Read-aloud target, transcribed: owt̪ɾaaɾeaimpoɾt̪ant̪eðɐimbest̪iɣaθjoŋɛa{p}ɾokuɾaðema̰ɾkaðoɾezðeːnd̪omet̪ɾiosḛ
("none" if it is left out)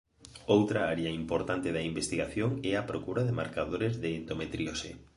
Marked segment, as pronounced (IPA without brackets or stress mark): p